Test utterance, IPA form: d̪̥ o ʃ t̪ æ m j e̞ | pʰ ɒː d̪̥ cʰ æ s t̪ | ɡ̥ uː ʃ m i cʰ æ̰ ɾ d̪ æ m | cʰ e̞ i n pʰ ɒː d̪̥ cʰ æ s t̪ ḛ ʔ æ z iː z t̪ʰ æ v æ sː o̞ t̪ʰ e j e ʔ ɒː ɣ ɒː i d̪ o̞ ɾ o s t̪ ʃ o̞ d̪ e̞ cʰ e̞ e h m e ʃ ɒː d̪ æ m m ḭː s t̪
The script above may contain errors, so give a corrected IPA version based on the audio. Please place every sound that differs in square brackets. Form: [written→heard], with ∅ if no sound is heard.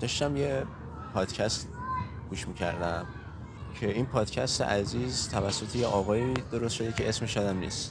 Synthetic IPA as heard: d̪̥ [o→ɒ] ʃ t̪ æ m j e̞ | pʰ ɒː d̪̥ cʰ æ s t̪ | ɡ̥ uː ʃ m i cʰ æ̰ ɾ d̪ æ m | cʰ e̞ i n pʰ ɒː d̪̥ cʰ æ s t̪ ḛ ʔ æ z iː z t̪ʰ æ v æ sː o̞ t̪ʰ e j e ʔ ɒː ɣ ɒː i d̪ o̞ ɾ o s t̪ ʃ o̞ d̪ e̞ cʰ e̞ e [h→s] m e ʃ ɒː d̪ æ m [m→n] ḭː s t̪